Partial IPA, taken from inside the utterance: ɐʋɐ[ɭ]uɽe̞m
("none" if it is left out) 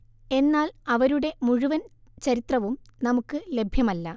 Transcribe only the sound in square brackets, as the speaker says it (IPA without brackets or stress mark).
ɾ